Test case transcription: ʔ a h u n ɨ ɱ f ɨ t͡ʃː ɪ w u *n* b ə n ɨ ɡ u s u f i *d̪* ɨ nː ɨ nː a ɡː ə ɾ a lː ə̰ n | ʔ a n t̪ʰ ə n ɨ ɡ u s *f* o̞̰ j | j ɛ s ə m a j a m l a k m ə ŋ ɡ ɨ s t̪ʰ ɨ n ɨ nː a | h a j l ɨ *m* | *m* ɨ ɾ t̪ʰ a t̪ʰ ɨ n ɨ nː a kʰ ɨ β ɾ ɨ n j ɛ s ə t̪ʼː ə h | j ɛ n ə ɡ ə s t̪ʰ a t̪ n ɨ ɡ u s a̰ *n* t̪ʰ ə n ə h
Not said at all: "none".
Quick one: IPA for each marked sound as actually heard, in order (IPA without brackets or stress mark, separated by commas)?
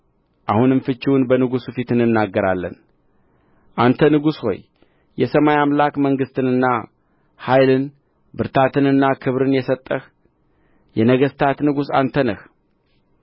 n, t̪, h, n, b, n